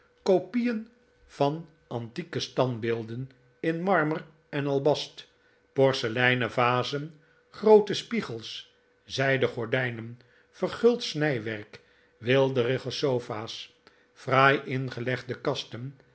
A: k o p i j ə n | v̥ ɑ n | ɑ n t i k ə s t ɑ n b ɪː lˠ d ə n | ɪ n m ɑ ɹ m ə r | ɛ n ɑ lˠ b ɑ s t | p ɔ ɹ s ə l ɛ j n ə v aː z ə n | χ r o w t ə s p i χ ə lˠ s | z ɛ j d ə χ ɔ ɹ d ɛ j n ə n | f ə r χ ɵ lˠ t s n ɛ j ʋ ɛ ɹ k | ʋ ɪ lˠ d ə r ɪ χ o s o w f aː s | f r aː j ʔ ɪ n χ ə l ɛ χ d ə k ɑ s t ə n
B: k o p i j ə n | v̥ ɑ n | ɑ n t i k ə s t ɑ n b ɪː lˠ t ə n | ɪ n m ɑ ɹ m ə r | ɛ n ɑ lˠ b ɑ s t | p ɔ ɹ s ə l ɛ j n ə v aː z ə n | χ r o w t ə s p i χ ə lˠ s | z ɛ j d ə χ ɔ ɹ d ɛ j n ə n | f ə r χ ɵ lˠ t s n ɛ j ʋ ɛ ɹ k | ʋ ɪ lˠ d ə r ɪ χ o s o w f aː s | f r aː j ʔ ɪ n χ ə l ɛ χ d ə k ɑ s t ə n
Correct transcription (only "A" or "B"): A